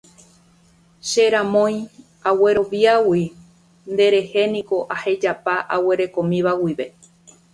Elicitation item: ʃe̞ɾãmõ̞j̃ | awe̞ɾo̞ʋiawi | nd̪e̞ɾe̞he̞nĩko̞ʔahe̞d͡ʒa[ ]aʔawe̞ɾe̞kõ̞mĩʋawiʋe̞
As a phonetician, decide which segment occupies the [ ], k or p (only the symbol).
p